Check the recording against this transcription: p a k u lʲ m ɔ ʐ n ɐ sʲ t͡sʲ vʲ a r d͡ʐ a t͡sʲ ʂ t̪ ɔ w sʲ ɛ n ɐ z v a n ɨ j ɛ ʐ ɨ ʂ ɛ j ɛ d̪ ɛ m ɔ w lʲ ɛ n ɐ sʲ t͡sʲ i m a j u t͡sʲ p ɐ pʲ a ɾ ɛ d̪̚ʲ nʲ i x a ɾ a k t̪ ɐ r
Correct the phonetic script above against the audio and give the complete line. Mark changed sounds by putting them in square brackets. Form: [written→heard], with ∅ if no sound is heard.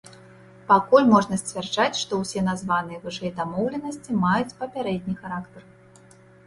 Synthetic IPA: p a k u lʲ m ɔ ʐ n ɐ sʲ t͡sʲ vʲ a r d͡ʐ a t͡sʲ ʂ t̪ ɔ w sʲ ɛ n [ɐ→a] z v a n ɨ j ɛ [ʐ→v] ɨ ʂ ɛ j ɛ d̪ [ɛ→a] m ɔ w lʲ ɛ n ɐ sʲ t͡sʲ i m a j u t͡sʲ p ɐ pʲ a ɾ ɛ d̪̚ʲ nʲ i x a ɾ a k t̪ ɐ r